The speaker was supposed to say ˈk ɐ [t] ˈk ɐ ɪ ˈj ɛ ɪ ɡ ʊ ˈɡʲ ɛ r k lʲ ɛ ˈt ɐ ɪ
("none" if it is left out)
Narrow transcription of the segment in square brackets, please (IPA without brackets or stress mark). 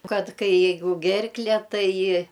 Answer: t